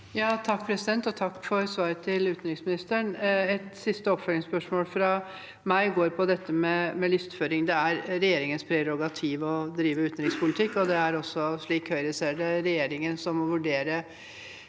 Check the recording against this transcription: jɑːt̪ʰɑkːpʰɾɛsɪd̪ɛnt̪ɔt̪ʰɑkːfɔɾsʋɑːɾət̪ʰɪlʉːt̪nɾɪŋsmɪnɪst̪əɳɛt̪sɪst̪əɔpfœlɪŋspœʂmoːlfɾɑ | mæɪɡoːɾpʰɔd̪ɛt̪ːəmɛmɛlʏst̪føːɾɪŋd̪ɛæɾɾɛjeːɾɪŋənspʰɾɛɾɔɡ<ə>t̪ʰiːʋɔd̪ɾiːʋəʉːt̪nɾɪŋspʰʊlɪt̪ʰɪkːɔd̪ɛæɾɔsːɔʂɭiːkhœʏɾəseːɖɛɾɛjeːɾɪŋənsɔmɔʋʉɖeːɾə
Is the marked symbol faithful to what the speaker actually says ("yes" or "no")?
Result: no